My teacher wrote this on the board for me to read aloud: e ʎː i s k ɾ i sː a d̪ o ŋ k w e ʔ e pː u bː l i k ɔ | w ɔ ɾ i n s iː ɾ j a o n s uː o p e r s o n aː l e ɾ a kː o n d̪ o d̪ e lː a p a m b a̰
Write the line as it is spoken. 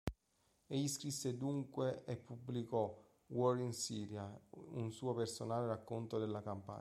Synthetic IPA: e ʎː i s k ɾ i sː e d̪ u ŋ k w e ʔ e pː u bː l i k ɔ | w ɔ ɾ i n s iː ɾ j a u n s uː o p e r s o n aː l e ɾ a kː o n t̪ o d̪ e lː a k a m p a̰